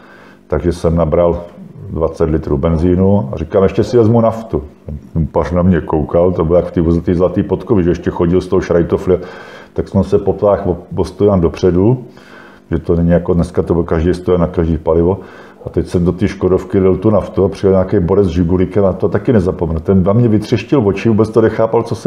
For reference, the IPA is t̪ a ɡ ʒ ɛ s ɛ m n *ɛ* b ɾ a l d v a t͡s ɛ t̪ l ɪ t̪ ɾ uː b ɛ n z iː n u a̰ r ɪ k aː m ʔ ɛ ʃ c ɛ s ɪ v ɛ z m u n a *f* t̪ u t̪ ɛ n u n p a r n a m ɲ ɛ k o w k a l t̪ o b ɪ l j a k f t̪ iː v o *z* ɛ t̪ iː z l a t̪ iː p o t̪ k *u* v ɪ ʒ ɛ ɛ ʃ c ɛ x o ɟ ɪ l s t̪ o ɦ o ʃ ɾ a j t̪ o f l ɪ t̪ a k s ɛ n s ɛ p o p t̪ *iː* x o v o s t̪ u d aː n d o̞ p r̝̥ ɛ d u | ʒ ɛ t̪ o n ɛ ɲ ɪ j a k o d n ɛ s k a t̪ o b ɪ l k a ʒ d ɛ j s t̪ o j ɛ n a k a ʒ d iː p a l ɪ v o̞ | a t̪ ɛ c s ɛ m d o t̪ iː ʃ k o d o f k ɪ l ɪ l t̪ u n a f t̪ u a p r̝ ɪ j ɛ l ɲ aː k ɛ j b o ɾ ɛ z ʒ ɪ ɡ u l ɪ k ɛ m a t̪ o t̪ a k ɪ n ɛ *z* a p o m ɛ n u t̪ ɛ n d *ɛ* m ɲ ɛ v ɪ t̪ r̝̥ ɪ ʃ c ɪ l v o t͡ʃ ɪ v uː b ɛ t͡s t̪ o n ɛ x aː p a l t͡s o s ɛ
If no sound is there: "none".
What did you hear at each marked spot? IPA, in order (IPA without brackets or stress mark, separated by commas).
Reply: a, f, z, o, aː, z, a